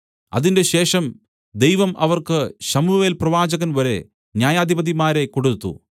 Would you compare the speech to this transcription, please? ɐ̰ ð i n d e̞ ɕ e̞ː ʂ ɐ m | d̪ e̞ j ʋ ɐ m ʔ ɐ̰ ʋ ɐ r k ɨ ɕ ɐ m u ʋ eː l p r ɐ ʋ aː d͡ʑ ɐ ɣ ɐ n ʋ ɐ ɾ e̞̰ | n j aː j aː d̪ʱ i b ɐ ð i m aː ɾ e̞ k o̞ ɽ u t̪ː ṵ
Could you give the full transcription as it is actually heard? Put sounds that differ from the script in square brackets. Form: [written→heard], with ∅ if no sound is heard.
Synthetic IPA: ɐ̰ ð i n d e̞ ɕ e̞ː ʂ ɐ m | d̪ e̞ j ʋ ɐ m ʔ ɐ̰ ʋ ɐ r k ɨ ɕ ɐ m u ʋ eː l p r ɐ ʋ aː d͡ʑ ɐ ɣ ɐ n ʋ ɐ ɾ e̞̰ | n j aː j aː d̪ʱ i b ɐ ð i m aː ɾ e̞ k o̞ ɽ u t̪ː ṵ